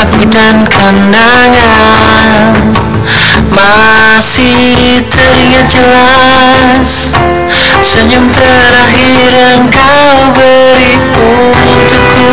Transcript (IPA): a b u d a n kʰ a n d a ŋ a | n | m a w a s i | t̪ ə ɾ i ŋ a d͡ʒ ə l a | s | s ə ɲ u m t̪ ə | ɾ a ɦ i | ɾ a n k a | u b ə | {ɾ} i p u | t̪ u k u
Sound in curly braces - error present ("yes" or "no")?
no